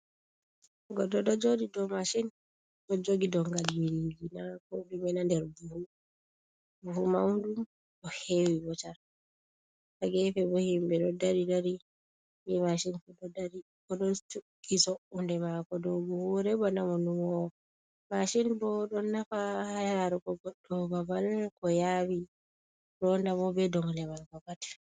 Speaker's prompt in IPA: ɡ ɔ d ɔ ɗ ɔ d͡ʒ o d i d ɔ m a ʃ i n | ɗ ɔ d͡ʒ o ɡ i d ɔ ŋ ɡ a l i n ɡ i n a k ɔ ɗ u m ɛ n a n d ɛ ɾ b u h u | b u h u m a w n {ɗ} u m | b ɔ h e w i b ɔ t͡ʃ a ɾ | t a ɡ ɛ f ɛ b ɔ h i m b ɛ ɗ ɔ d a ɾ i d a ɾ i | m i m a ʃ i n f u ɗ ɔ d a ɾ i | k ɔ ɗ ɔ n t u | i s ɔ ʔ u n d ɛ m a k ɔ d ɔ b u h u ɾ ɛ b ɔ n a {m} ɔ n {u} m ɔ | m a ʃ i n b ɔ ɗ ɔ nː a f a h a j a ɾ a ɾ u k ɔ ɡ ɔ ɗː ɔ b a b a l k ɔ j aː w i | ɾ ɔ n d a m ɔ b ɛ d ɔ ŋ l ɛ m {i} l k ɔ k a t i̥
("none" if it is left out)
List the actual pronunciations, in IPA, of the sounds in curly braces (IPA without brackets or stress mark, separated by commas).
d, m, u, a